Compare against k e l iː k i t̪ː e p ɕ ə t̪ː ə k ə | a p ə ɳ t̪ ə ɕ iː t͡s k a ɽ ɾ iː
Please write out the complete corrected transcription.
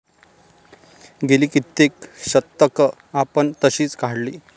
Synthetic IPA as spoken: ɡ e l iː k i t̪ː e k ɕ ə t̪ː ə k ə | a p ə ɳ t̪ ə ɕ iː t͡s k a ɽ l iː